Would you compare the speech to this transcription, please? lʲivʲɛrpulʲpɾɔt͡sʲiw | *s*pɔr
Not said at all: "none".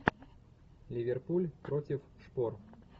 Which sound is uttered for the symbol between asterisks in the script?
ʂ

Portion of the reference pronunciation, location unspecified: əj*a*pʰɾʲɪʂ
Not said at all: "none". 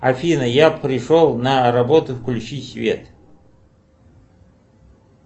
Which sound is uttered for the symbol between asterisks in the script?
a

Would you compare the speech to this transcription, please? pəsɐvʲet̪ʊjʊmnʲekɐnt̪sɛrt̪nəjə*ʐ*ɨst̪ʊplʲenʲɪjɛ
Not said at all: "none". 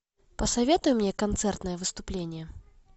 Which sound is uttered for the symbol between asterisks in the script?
v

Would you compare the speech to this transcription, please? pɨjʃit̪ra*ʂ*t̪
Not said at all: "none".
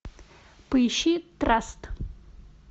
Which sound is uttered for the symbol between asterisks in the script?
s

